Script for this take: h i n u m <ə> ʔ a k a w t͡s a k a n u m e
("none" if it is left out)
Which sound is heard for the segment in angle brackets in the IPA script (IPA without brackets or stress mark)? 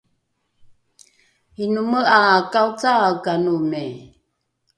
ə